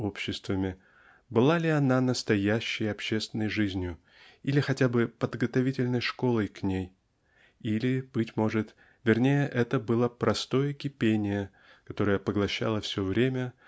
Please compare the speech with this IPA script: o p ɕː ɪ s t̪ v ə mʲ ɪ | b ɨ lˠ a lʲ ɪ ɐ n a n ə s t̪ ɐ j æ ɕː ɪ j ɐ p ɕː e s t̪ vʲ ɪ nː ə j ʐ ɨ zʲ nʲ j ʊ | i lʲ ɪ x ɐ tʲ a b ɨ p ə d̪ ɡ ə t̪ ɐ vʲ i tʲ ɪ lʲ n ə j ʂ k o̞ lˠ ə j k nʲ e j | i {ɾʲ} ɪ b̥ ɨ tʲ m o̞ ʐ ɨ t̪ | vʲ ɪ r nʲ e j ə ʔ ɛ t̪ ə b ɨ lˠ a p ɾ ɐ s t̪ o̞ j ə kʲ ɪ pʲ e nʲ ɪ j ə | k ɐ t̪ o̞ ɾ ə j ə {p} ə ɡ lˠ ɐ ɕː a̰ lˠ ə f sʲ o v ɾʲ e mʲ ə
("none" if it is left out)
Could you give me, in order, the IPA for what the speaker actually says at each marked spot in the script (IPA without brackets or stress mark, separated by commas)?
lʲ, p